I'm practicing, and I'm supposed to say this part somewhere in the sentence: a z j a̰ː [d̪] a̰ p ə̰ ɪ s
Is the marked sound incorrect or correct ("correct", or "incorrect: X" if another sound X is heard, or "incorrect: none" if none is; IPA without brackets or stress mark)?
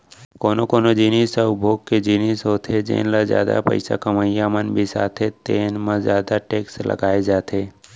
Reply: correct